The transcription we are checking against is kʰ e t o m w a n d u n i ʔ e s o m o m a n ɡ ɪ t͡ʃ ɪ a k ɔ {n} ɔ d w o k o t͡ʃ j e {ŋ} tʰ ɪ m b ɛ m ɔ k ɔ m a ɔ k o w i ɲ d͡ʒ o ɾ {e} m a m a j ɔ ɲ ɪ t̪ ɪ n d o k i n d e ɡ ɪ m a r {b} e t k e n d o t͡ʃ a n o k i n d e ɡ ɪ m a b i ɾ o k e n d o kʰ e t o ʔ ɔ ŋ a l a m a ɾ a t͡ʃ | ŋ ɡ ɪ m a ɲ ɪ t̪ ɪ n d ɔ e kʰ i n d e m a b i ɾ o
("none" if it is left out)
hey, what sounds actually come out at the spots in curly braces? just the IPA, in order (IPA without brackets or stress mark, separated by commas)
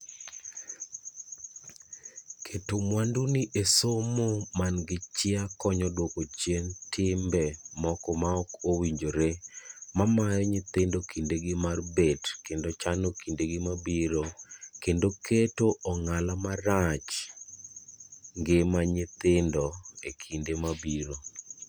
ɲ, n, e, b